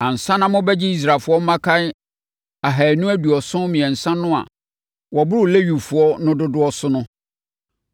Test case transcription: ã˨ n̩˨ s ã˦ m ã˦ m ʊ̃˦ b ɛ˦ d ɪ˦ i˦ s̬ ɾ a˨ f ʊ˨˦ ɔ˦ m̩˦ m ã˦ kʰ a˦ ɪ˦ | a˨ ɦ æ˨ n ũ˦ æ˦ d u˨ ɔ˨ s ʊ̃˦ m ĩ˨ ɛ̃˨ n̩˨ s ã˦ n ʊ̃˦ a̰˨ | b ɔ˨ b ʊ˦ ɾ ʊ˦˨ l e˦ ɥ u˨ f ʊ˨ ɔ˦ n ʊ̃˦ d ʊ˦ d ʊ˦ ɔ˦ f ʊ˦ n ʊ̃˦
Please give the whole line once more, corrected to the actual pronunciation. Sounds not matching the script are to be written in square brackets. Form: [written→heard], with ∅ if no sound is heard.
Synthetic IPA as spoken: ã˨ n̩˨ s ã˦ [m→n] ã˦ m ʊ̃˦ b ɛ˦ [d→d͡ʑ] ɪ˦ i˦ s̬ ɾ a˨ f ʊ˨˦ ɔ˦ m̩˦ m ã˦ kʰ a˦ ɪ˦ | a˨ ɦ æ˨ n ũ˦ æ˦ d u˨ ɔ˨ s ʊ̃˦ m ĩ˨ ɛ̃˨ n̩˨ s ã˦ n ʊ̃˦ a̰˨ | [b→w] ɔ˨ b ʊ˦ ɾ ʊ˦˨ l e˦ ɥ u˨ f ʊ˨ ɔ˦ n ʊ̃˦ d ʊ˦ d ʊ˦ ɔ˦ [f→s] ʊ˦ n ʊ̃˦